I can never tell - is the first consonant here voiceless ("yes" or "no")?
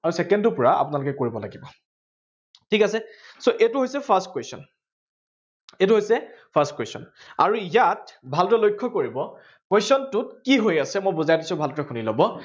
no